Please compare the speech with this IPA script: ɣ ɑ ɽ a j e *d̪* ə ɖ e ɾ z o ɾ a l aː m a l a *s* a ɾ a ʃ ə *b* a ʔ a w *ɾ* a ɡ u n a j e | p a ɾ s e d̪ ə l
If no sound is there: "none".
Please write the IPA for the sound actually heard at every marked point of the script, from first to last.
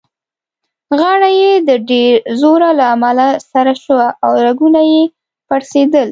d̪, s, w, ɾ

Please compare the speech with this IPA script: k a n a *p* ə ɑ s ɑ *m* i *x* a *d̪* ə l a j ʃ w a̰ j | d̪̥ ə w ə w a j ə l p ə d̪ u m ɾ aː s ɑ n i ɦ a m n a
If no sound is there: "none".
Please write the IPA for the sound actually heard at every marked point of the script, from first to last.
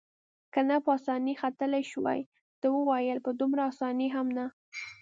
p, n, x, t̪

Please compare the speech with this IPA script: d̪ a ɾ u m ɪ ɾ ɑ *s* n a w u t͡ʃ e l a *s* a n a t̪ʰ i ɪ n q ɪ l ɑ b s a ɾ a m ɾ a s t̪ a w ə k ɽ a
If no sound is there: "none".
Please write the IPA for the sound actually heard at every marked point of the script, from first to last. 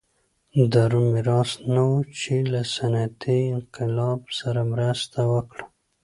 s, s

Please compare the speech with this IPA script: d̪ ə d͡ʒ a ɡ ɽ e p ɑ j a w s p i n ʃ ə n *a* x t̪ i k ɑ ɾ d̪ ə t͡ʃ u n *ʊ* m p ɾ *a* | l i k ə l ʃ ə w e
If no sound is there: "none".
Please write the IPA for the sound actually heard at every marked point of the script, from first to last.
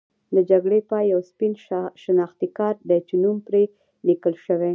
ɑ, u, e

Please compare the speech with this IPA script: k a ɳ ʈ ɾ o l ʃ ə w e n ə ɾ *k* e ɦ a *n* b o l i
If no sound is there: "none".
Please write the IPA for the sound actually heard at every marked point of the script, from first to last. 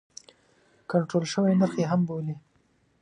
x, m

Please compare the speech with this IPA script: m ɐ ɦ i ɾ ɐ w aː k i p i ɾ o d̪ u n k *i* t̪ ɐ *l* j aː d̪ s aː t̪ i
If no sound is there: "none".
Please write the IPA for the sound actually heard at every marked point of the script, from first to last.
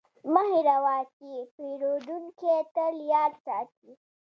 e, l

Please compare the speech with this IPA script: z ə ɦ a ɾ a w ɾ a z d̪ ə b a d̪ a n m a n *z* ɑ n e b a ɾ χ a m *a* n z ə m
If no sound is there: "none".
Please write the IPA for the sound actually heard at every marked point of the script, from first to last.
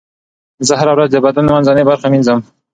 z, i

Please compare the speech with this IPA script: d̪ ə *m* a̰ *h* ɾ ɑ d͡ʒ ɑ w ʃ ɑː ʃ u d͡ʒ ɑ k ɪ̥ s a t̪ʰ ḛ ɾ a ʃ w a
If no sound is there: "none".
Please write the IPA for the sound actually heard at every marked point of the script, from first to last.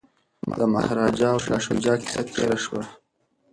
m, h

